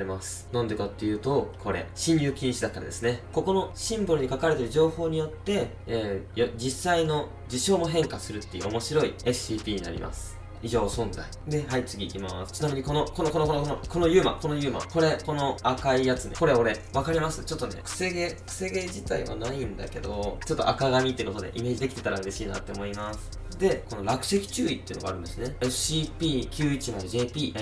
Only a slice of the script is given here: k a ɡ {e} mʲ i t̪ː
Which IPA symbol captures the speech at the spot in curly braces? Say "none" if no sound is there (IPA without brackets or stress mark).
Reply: a